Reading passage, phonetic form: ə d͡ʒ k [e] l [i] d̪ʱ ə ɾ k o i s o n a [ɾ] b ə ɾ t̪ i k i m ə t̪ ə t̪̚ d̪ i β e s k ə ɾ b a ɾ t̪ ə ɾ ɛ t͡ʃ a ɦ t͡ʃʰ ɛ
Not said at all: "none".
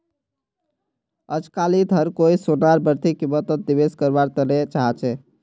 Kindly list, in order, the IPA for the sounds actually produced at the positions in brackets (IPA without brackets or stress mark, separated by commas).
a, i, ɾ